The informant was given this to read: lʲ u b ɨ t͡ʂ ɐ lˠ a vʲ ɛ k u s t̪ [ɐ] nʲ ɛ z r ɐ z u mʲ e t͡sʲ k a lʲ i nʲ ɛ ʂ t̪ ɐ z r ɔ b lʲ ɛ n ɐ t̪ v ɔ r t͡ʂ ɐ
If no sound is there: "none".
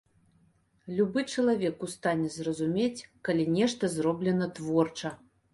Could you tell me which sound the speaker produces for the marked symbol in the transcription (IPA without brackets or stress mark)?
a